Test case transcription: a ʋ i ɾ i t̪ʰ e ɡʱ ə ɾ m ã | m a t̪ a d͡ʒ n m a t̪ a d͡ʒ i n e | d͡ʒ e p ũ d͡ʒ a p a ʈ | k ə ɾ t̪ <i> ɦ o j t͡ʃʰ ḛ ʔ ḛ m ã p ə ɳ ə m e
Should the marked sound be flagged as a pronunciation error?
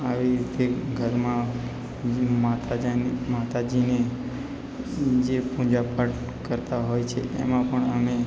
yes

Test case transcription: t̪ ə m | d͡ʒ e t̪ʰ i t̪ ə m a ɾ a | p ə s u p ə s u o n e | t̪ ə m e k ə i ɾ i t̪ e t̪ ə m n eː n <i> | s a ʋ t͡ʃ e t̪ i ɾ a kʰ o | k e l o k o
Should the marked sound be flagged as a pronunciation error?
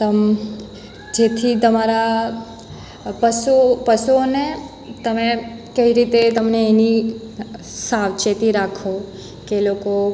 no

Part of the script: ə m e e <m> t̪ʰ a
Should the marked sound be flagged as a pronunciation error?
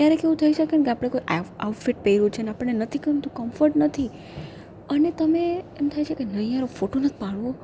no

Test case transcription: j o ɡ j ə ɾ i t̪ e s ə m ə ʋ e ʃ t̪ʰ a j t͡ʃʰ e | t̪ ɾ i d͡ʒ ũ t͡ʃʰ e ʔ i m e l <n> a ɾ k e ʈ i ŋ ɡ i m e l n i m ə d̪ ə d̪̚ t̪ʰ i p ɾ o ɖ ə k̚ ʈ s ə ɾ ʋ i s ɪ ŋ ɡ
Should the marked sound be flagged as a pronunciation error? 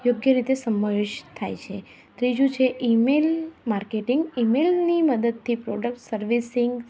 yes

